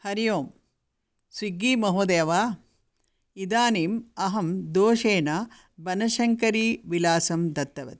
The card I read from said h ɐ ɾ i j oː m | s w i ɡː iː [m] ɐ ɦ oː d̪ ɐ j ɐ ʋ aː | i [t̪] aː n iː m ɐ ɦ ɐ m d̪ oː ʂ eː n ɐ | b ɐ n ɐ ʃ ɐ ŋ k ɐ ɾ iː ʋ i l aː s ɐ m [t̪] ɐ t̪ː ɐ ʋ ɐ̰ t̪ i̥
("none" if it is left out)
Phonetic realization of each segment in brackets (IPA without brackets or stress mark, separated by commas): m, d̪, d̪